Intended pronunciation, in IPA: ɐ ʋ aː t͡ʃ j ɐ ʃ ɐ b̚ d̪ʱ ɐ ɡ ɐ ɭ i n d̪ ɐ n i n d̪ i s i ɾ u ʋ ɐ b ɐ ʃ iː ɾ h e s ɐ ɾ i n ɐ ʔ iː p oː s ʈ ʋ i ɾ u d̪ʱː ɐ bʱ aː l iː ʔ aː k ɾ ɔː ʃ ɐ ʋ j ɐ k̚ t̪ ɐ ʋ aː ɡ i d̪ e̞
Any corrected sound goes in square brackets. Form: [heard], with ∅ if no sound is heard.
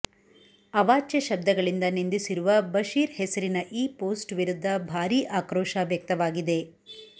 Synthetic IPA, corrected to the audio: ɐ ʋ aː t͡ʃ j ɐ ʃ ɐ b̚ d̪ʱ ɐ ɡ ɐ ɭ i n d̪ ɐ n i n d̪ i s i ɾ u ʋ ɐ b ɐ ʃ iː ɾ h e s ɐ ɾ i n ɐ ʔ iː p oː s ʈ ʋ i ɾ u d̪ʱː ɐ bʱ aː [ɾ] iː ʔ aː k ɾ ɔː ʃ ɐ ʋ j ɐ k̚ t̪ ɐ ʋ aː ɡ i d̪ e̞